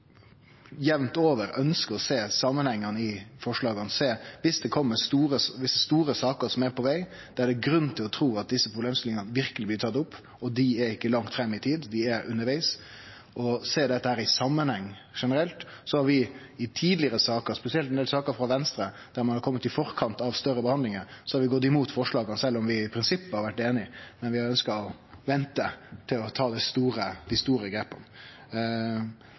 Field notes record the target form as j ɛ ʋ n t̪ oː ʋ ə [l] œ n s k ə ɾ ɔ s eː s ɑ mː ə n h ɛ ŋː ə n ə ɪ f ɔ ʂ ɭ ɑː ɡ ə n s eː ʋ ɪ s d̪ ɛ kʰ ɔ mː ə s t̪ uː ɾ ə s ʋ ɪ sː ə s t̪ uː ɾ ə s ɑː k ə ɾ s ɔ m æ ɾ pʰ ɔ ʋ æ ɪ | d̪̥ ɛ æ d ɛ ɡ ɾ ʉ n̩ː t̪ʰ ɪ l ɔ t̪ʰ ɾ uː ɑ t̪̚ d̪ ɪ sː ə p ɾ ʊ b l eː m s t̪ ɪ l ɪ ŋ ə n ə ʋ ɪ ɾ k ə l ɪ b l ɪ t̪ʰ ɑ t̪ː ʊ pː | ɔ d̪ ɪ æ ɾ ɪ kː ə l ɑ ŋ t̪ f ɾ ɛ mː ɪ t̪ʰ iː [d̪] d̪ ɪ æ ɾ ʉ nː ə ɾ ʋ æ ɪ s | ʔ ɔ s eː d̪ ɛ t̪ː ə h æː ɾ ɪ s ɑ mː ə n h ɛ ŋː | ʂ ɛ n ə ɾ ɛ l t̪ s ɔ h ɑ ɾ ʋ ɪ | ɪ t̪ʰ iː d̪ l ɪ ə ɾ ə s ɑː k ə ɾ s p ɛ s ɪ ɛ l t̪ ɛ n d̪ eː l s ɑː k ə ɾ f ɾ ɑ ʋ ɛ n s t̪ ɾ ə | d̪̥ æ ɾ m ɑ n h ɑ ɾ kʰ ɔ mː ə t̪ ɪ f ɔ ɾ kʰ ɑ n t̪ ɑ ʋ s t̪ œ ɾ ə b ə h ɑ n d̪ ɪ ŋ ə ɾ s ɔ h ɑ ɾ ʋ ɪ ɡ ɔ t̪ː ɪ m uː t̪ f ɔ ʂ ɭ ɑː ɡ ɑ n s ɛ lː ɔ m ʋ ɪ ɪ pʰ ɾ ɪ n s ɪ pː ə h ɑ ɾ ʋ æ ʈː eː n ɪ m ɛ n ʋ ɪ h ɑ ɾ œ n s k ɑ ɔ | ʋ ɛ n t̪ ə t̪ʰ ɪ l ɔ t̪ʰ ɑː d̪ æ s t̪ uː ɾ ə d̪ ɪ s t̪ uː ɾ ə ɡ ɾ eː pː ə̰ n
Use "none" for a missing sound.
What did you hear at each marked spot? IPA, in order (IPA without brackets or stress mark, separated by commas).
ɾ, d̪